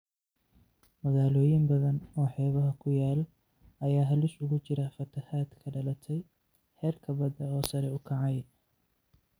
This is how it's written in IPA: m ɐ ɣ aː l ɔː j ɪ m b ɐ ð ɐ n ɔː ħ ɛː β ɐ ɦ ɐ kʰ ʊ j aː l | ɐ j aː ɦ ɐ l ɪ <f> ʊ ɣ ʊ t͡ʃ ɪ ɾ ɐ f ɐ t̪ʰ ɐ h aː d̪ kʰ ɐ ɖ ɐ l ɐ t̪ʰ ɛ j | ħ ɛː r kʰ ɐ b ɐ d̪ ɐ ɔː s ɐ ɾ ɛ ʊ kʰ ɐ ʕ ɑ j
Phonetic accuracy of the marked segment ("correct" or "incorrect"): incorrect